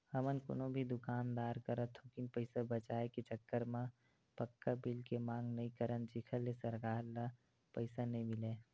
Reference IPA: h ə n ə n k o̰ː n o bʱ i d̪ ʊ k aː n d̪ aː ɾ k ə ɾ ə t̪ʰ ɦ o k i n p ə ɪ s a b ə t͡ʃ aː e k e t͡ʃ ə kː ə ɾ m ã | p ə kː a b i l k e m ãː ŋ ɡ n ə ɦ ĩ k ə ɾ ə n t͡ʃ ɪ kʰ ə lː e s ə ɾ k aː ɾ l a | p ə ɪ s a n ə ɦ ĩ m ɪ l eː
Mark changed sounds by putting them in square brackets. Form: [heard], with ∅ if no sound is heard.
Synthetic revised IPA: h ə [m] ə n k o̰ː n o bʱ i d̪ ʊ k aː n d̪ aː ɾ k ə ɾ ə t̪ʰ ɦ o k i n p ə ɪ s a b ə t͡ʃ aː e k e t͡ʃ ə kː ə ɾ m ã | p ə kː a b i l k e m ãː ŋ ɡ n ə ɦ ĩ k ə ɾ ə n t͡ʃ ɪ kʰ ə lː e s ə ɾ k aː ɾ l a | p ə ɪ s a n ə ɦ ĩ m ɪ l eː